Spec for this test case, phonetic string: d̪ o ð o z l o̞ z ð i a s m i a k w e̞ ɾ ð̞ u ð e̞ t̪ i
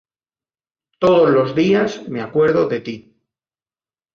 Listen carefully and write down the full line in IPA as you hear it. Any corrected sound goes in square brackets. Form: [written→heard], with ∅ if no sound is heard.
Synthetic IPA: [d̪→t̪] o ð o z l o̞ z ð i a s m [i→e] a k w e̞ ɾ ð̞ [u→o] ð e̞ t̪ i

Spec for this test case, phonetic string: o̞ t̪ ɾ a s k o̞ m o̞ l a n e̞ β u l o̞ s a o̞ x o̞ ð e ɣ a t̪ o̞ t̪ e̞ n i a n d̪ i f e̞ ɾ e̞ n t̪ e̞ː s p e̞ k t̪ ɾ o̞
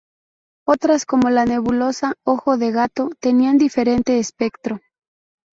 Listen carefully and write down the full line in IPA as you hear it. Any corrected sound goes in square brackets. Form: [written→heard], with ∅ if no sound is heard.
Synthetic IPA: o̞ t̪ ɾ a s k o̞ m o̞ l a n e̞ β u l o̞ s a o̞ x o̞ ð e ɣ a t̪ o̞ t̪ e̞ n i a n d̪ i f e̞ ɾ e̞ n t̪ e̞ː s p e̞ k t̪ ɾ o̞

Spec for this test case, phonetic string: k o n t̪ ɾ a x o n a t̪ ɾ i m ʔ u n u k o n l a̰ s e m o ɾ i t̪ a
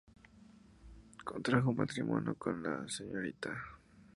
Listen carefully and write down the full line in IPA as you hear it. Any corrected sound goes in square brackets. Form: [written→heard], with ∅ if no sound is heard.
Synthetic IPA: k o n t̪ ɾ a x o [n→m] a t̪ ɾ i m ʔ [u→o] n [u→o] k o n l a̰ s e [m→ɲ] o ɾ i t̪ a

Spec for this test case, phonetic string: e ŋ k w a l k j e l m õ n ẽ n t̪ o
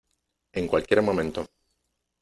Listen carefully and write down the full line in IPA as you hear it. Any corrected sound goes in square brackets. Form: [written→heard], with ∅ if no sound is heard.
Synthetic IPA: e ŋ k w a l k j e [l→ɾ] m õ [n→m] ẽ n t̪ o

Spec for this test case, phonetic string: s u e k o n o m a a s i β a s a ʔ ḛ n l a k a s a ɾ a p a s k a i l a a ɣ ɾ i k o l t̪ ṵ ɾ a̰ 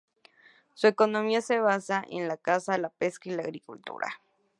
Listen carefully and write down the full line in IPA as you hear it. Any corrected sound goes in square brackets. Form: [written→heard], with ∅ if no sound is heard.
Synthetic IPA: s u e k o n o m [a→i] a s [i→e] β a s a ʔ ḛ n l a k a s a [ɾ→l] a p [a→e] s k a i l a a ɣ ɾ i k [o→u] l t̪ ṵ ɾ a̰

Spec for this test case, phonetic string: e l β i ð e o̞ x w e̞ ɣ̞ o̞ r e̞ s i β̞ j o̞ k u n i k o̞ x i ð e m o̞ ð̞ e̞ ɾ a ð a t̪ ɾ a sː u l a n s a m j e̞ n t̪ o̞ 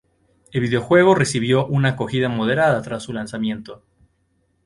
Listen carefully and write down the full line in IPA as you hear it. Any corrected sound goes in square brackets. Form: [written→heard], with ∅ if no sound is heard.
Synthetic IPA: e l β i ð e o̞ x w e̞ ɣ̞ o̞ r e̞ s i β̞ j o̞ [k→ʔ] u n [i→a] k o̞ x i ð [e→a] m o̞ ð̞ e̞ ɾ a ð a t̪ ɾ a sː u l a n s a m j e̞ n t̪ o̞

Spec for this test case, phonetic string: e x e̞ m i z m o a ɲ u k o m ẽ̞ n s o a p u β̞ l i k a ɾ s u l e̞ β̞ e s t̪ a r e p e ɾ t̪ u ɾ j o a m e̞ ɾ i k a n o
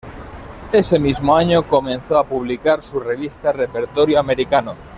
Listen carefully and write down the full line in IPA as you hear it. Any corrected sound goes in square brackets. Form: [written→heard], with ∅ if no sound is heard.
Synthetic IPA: e [x→s] e̞ m i z m o a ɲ [u→o] k o m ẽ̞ n [s→θ] o a p u β̞ l i k a ɾ s u [l→r] e̞ β̞ [e→i] s t̪ a r e p e ɾ t̪ [u→o] ɾ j o a m e̞ ɾ i k a n o

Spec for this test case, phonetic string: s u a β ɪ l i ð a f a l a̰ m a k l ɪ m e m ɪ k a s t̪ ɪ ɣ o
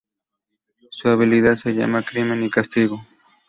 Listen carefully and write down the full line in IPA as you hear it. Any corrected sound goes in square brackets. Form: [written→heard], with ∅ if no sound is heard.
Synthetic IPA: s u a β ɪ l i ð a [f→s] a [l→ʎ] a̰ m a k [l→ɾ] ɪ m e [m→n] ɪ k a s t̪ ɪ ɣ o

